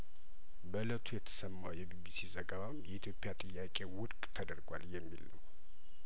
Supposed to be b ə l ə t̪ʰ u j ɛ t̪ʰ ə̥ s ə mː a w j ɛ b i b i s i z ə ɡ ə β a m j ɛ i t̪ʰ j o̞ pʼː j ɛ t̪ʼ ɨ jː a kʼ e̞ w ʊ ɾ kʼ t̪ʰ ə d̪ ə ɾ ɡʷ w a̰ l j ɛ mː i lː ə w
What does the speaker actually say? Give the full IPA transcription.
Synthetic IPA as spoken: b ə l ə t̪ʰ u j ɛ t̪ʰ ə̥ s ə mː a w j ɛ b i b i s i z ə ɡ ə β a m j ɛ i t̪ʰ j o̞ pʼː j a t̪ʼ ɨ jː a kʼ e̞ w ʊ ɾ kʼ t̪ʰ ə d̪ ə ɾ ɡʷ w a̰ l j ɛ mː i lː ə w